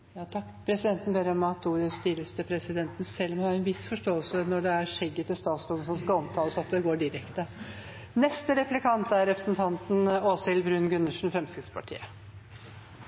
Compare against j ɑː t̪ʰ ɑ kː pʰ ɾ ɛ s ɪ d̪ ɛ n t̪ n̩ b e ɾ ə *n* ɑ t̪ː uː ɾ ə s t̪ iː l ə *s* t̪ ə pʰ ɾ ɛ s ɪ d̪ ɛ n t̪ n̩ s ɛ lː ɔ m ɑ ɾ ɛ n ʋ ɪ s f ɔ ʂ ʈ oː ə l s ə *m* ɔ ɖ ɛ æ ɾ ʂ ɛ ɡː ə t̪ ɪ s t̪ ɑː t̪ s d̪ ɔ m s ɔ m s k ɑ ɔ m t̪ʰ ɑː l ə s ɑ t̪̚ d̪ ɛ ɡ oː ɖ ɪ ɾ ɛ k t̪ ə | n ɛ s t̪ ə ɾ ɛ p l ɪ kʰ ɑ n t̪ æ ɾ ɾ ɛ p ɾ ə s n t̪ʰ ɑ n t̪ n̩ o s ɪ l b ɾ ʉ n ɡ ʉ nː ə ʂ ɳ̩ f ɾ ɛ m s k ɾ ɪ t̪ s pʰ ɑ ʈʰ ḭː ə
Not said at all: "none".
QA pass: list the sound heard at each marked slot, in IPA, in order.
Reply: m, s, n

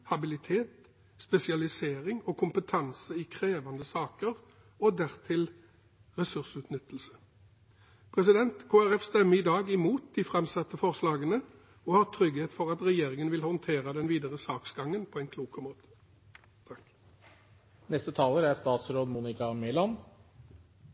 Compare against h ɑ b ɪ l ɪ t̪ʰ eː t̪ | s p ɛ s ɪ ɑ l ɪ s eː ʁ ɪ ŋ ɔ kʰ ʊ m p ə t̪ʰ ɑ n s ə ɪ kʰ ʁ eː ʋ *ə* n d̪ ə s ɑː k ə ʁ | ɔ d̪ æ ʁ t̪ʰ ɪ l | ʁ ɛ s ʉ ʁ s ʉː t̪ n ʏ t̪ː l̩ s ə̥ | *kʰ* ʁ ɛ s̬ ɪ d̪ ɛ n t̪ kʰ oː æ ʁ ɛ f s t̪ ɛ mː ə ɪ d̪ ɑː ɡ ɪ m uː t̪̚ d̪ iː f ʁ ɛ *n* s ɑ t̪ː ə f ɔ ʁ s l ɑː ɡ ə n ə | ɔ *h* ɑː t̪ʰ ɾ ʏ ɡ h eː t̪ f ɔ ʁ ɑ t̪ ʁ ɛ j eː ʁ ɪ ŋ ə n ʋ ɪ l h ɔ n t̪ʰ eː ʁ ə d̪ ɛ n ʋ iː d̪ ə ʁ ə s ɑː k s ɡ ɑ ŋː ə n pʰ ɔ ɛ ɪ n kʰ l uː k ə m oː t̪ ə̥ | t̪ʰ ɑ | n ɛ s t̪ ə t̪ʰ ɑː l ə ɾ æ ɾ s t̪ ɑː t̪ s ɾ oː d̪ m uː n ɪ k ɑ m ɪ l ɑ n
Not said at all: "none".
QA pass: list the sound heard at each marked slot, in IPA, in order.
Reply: ɑ, pʰ, m, h

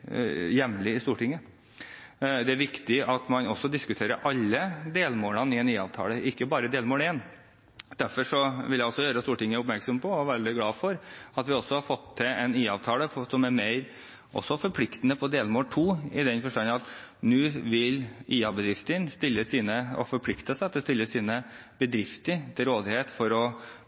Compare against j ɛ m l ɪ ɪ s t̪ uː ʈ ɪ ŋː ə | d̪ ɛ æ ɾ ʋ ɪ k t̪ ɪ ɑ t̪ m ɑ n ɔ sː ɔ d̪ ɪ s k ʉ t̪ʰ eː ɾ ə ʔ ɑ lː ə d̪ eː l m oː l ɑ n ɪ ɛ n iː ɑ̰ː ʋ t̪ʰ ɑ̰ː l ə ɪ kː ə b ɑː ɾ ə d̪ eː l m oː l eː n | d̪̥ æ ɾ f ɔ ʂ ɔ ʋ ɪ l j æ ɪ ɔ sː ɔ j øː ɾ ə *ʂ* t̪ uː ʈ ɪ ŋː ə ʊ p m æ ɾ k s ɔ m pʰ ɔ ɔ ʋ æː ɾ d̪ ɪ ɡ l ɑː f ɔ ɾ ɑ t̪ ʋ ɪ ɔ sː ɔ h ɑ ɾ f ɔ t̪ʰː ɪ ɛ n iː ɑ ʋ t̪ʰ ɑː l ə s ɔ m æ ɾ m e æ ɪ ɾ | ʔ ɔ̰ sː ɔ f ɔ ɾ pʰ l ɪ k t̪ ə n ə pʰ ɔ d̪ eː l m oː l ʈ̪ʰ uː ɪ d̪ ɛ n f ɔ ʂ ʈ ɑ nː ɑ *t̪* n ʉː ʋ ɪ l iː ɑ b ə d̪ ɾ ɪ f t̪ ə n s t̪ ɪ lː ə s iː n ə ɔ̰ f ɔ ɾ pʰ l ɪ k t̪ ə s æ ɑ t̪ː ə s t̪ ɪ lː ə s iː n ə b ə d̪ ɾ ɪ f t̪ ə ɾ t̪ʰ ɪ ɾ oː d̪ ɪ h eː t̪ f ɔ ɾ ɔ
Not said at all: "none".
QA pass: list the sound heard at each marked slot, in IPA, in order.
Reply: s, t̪

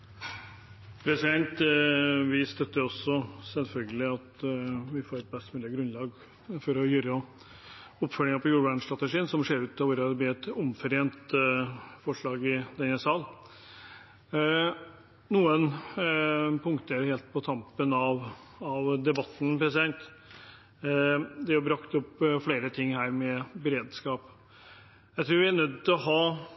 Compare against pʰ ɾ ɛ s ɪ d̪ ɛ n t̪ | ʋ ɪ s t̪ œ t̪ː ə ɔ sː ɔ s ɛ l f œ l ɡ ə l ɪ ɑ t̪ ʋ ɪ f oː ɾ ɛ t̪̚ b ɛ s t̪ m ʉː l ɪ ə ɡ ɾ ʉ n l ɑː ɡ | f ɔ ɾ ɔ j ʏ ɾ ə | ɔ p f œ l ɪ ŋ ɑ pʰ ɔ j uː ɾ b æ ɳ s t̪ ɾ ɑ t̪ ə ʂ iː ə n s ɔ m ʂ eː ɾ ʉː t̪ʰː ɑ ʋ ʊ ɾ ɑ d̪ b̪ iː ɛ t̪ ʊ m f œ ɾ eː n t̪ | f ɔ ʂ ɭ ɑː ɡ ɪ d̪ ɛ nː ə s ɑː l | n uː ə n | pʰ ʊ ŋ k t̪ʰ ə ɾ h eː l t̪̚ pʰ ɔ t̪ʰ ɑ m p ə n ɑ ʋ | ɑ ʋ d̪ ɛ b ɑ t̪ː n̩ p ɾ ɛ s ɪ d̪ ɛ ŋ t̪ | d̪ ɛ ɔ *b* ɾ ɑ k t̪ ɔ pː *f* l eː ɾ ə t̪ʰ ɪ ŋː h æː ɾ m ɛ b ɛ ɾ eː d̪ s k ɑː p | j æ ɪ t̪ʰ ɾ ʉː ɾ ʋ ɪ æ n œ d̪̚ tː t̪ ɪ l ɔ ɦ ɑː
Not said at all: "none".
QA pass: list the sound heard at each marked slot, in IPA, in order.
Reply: b, f

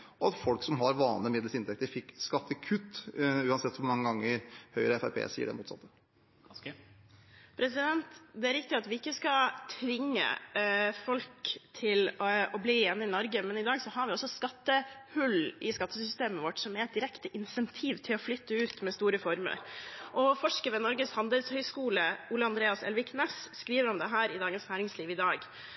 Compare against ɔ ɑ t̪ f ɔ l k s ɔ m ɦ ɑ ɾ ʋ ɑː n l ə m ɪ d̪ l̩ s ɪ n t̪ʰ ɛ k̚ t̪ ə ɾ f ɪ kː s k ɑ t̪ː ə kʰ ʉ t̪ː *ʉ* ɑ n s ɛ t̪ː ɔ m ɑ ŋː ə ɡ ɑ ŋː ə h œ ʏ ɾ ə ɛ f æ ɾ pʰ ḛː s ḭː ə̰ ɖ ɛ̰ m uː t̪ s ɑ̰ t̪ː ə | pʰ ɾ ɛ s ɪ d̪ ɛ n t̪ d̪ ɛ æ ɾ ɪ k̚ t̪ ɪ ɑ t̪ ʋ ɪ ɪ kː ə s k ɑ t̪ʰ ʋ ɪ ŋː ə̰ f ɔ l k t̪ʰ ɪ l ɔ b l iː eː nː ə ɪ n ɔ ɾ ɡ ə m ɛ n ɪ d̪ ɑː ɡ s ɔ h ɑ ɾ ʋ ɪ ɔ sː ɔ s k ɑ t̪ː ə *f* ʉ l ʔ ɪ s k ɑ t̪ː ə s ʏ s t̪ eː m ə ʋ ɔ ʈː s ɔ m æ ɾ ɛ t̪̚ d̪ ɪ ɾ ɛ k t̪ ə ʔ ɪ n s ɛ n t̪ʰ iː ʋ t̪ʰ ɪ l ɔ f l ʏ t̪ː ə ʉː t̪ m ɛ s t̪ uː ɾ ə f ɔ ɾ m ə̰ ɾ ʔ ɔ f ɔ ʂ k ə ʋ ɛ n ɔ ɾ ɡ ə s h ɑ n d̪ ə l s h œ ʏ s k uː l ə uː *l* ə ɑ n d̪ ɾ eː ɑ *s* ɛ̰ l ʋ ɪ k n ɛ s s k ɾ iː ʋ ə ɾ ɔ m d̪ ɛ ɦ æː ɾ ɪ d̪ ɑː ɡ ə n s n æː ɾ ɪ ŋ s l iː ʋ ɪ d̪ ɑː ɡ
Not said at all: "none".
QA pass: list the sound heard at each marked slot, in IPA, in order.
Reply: ʉː, h, l, s

